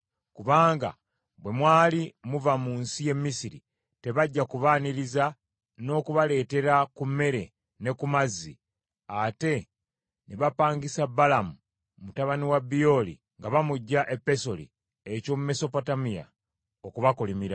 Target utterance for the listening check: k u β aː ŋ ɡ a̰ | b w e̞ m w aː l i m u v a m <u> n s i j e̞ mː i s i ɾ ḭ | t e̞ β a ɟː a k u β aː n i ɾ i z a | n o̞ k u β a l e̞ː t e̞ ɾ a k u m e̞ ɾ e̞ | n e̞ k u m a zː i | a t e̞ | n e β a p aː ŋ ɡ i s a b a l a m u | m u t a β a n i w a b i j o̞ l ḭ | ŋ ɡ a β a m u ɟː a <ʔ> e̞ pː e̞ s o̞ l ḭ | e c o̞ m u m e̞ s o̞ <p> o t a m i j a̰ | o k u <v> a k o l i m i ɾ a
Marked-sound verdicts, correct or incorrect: incorrect: uː, correct, correct, incorrect: β

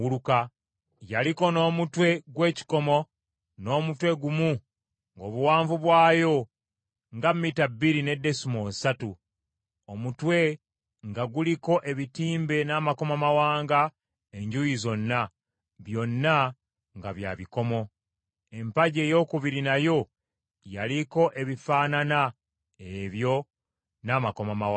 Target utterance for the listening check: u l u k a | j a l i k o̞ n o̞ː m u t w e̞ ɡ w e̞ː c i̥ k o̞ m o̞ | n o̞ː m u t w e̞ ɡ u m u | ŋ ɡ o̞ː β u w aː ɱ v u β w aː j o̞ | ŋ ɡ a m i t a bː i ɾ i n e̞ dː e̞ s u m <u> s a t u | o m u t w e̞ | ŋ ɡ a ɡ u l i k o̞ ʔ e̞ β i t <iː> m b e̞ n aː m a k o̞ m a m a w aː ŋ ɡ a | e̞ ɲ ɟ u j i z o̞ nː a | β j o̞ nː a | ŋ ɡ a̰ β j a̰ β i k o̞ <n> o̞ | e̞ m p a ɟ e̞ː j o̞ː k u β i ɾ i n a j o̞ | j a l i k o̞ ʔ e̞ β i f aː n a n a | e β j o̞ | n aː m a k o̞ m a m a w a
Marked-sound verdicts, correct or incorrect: incorrect: o, correct, incorrect: m

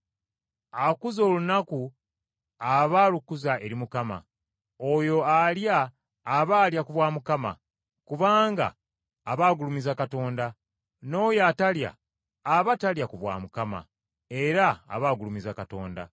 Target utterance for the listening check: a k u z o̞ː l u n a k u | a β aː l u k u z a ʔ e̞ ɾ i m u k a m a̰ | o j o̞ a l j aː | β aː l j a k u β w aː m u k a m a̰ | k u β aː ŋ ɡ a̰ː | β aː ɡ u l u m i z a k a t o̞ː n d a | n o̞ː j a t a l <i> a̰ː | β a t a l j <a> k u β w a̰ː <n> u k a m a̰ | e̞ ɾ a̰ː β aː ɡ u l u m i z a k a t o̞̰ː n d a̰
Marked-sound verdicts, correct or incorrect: incorrect: j, correct, incorrect: m

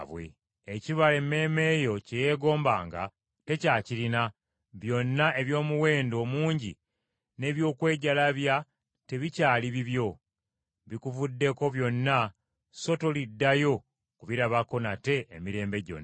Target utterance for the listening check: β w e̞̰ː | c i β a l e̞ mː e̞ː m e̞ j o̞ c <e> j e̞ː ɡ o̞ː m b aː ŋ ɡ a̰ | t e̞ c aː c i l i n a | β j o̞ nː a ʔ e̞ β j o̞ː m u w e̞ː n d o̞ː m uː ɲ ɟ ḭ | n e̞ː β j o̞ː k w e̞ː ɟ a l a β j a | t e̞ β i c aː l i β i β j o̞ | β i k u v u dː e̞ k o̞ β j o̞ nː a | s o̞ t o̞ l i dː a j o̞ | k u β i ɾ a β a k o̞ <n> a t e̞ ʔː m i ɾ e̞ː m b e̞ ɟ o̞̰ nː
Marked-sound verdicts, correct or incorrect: correct, correct

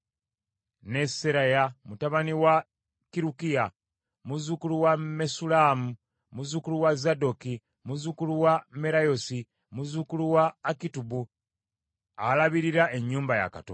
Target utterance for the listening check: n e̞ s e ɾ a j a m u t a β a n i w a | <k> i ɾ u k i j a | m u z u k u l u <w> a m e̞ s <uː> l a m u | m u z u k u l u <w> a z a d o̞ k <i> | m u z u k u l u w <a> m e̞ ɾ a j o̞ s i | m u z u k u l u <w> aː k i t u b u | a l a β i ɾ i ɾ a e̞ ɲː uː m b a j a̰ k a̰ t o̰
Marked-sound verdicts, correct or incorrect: correct, correct, incorrect: u, correct, correct, correct, correct

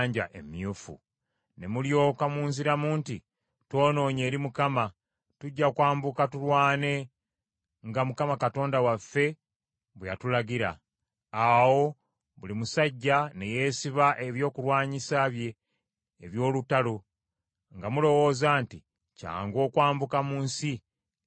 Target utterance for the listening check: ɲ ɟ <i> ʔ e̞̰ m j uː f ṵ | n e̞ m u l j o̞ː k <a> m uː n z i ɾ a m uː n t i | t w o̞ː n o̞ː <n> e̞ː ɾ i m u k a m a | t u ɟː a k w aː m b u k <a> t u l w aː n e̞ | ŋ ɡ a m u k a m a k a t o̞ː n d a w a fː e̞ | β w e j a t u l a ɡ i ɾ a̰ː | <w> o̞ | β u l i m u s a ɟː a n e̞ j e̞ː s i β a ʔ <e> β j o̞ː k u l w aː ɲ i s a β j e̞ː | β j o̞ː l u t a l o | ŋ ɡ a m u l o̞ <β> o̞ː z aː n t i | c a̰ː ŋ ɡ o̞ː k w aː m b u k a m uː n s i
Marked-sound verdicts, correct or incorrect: incorrect: a, correct, incorrect: ɲ, correct, correct, correct, incorrect: w

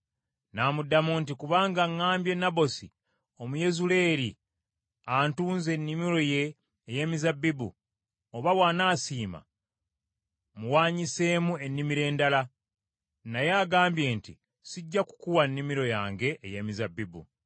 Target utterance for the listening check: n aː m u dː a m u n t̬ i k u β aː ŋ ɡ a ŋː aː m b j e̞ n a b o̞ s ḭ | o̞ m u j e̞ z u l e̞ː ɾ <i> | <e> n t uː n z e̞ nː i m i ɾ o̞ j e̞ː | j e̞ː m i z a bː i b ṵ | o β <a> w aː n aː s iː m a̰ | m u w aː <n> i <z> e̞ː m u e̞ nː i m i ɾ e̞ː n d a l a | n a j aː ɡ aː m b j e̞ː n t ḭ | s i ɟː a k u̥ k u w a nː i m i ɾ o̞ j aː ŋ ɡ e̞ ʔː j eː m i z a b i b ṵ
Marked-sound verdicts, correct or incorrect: correct, incorrect: a, correct, incorrect: ɲ, incorrect: s

